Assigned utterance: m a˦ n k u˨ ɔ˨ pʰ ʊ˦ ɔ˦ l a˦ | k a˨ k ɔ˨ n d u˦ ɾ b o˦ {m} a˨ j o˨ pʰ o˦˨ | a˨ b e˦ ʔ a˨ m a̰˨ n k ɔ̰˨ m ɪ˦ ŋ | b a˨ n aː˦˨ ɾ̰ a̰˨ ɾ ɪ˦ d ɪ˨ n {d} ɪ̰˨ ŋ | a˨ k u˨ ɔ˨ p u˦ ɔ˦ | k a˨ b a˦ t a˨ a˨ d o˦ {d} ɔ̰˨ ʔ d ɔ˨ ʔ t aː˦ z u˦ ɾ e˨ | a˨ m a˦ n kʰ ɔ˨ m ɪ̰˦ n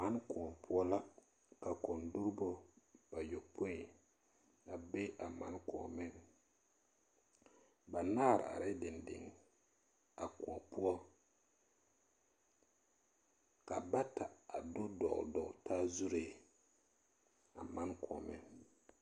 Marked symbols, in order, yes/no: no, yes, yes

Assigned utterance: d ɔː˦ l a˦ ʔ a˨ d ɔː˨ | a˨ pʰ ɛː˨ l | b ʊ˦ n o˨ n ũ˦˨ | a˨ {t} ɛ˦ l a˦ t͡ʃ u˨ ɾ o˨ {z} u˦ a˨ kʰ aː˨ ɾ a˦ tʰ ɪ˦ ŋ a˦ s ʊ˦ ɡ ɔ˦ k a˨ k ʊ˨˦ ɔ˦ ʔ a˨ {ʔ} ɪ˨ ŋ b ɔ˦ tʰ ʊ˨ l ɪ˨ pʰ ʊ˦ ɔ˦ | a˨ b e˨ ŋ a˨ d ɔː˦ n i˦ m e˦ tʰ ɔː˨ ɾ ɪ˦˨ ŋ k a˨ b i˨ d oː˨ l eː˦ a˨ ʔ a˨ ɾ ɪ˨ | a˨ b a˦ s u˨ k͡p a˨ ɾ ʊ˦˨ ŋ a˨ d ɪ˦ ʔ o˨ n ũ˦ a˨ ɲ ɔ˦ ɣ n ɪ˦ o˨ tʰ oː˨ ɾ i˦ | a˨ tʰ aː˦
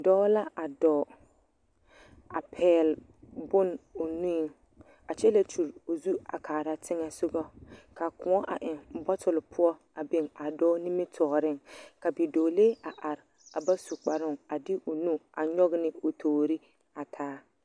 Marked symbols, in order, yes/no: no, yes, yes

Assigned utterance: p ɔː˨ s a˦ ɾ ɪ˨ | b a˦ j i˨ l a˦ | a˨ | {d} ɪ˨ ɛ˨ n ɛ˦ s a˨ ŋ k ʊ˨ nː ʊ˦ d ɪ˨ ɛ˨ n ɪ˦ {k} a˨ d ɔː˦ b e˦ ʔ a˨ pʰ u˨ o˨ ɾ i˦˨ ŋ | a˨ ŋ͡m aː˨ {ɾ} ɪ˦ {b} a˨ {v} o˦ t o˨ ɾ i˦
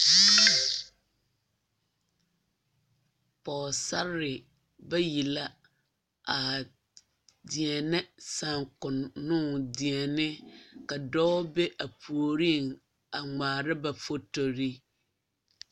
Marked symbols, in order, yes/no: yes, yes, yes, yes, no

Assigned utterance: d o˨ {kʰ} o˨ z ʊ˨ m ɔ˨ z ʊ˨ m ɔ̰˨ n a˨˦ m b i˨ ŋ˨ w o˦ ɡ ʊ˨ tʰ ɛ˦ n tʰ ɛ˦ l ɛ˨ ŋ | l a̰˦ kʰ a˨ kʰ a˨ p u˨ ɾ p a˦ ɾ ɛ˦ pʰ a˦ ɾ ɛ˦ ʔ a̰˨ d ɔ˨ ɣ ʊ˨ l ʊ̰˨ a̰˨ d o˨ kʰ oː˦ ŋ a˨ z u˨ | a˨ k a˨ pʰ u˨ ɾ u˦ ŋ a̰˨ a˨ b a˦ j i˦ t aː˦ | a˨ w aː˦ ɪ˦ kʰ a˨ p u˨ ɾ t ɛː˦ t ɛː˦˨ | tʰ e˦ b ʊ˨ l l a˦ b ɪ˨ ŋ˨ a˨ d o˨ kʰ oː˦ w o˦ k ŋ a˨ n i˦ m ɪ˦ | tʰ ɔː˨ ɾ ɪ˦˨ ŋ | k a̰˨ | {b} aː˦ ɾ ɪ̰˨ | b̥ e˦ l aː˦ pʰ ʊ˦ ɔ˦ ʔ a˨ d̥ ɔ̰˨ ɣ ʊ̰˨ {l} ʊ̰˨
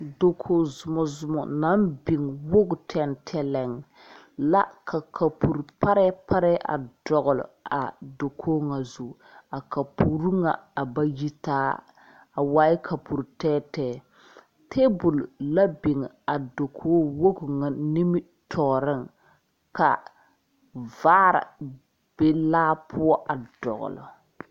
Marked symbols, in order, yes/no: yes, no, yes

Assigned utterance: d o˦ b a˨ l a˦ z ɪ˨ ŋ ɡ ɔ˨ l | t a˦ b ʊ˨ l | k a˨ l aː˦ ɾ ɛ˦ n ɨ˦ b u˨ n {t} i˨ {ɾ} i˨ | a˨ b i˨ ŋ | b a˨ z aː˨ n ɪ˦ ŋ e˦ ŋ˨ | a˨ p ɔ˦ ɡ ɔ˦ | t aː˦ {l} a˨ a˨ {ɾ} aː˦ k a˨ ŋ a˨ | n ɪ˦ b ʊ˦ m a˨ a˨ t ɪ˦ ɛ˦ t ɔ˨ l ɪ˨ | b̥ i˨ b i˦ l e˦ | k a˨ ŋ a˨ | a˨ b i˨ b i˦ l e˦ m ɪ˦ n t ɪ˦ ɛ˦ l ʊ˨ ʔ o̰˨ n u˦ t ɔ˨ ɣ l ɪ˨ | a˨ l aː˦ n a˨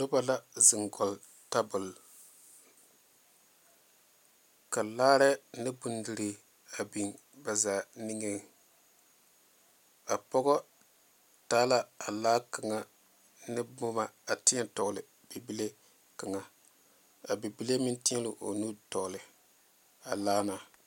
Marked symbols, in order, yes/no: no, yes, yes, no

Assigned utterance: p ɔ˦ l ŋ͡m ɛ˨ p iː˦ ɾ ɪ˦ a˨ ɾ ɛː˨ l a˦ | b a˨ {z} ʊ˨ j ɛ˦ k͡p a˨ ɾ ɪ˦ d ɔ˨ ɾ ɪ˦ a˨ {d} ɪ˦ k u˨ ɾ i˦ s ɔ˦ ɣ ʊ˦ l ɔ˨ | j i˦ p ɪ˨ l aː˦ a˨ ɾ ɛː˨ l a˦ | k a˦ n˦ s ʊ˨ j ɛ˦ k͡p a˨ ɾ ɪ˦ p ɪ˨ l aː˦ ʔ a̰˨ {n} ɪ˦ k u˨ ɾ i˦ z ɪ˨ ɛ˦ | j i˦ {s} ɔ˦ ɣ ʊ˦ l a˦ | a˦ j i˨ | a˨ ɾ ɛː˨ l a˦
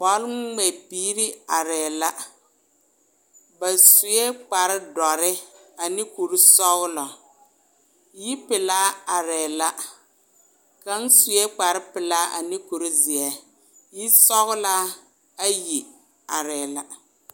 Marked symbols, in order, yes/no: no, no, yes, yes

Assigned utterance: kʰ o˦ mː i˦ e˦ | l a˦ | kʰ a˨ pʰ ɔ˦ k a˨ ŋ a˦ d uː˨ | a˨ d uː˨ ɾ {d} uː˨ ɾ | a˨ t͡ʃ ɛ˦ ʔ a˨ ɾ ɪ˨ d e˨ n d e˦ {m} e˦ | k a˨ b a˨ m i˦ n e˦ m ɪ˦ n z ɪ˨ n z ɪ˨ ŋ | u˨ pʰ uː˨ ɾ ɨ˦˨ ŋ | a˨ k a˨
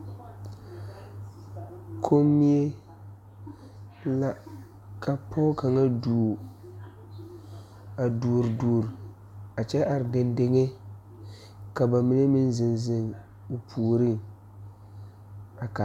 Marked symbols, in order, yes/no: yes, no

